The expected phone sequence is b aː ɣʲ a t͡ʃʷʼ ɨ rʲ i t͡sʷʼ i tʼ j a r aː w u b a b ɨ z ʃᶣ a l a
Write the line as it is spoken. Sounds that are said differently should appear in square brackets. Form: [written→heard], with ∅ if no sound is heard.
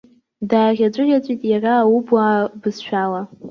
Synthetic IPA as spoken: [b→d] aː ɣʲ a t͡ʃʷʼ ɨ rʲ [i→a] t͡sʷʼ i tʼ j a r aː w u b a b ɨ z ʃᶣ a l a